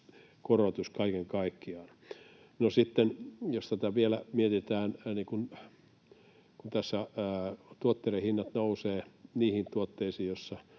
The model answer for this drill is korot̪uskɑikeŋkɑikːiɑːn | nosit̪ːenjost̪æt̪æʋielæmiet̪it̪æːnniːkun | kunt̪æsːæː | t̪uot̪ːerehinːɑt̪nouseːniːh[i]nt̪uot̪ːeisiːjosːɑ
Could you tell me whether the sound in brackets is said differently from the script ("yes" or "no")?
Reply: no